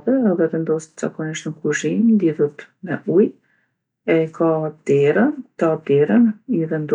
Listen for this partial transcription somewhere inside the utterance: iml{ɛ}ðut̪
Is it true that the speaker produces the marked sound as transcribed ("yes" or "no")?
no